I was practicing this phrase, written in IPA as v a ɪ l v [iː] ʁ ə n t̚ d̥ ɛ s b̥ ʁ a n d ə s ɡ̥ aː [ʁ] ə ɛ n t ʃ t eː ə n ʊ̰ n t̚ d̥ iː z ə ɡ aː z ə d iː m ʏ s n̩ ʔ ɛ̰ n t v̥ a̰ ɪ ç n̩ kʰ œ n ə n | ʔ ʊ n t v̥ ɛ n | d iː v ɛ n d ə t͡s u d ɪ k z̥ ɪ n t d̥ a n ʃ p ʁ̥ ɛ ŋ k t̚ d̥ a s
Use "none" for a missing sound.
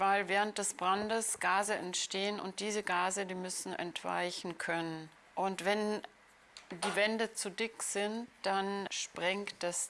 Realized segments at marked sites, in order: ɛː, z

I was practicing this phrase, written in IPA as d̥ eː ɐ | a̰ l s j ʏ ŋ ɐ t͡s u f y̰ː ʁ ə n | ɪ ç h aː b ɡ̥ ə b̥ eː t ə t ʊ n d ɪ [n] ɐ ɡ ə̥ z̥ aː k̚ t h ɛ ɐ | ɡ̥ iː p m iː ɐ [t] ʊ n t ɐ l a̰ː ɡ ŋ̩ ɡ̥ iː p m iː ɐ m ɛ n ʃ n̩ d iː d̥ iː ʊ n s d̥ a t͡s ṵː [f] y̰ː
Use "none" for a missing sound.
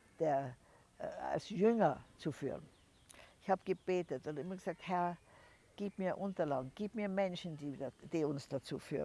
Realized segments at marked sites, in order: m, ʔ, f

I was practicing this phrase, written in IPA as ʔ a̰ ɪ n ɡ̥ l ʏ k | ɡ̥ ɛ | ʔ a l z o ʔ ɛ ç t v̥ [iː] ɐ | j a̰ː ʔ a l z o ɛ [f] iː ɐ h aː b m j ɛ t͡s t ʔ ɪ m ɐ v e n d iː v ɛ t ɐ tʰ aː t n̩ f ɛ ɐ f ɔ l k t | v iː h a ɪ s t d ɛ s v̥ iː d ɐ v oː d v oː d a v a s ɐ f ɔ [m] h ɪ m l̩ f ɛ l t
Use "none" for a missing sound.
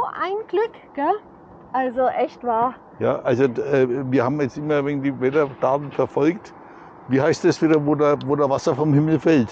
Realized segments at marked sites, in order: aː, v, m

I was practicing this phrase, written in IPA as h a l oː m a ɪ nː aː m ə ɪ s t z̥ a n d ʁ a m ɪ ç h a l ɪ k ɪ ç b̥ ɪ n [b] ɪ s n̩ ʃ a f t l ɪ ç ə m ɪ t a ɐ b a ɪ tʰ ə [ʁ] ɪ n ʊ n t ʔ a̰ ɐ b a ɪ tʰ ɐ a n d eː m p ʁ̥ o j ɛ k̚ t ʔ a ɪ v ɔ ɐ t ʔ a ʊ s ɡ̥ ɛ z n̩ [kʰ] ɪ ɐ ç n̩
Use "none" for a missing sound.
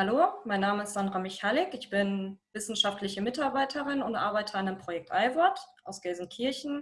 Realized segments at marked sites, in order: v, ʁ, kʰ

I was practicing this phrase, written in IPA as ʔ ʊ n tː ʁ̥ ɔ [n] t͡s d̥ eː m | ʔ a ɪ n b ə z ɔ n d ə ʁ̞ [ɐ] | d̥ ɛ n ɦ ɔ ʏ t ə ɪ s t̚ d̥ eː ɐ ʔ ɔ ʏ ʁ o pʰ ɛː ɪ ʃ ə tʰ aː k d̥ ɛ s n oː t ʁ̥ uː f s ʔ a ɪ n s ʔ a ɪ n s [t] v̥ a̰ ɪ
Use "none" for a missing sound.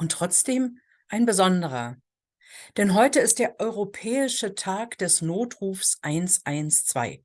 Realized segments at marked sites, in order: none, ɐ, t͡s

